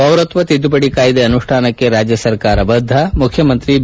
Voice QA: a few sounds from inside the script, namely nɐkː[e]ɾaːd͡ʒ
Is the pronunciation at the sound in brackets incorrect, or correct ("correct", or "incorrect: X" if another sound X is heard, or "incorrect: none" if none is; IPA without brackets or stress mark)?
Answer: correct